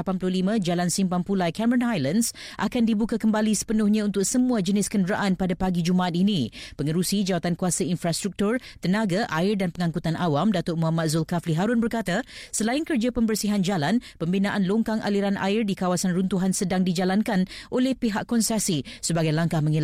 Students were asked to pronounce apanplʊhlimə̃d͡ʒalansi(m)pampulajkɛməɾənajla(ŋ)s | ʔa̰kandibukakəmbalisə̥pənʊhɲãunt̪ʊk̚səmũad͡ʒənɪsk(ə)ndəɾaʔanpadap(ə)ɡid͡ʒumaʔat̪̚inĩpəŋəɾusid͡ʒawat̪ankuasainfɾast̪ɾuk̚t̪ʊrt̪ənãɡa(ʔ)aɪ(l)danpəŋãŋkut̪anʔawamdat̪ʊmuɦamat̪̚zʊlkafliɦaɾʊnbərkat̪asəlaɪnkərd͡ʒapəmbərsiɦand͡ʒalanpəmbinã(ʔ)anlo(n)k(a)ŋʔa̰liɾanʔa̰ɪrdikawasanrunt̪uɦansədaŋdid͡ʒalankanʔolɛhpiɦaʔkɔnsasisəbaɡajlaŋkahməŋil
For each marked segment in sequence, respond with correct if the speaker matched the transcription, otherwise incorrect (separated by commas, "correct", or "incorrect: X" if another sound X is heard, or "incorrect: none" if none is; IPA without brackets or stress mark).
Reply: correct, incorrect: n, correct, incorrect: a, correct, incorrect: r, correct, incorrect: ŋ, correct